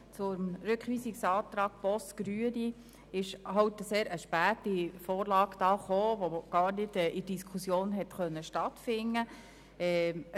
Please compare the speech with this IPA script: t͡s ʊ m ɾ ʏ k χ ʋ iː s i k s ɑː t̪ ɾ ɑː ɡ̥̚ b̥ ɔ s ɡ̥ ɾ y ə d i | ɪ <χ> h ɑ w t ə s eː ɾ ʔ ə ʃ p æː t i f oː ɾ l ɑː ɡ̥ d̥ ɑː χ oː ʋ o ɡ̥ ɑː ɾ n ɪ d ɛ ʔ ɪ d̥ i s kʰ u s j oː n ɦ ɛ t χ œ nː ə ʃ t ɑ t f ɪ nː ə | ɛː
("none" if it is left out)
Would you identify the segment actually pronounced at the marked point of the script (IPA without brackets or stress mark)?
ʃ